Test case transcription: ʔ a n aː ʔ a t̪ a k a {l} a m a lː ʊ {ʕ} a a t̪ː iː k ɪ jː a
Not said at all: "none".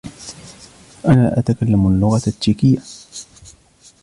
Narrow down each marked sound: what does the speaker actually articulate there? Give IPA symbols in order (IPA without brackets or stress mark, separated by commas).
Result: lː, ɣ